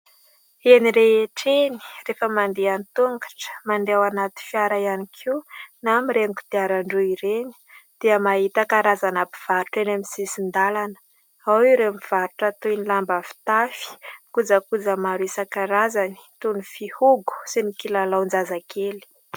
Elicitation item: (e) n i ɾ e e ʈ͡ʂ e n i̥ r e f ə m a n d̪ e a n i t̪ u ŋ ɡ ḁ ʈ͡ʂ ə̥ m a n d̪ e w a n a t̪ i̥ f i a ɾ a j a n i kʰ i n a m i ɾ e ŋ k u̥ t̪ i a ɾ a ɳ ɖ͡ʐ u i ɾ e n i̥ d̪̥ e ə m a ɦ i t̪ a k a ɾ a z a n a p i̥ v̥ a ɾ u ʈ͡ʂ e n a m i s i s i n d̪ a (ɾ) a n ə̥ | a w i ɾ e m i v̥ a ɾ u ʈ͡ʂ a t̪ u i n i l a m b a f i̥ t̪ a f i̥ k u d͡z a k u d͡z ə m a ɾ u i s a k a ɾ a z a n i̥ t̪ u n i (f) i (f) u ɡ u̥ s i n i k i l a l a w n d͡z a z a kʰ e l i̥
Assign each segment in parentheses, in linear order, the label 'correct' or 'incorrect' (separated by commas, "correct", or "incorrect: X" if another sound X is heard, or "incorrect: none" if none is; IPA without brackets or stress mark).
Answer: correct, incorrect: l, correct, incorrect: h